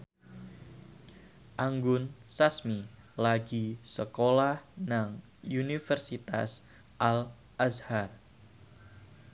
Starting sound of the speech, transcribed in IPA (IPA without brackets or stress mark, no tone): ʔ